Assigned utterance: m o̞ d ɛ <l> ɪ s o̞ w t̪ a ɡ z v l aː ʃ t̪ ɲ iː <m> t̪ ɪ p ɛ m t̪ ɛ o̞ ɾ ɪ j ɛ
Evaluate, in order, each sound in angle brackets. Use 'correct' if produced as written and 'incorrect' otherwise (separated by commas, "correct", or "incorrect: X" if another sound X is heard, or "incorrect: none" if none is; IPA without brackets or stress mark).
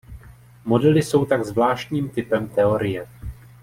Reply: correct, correct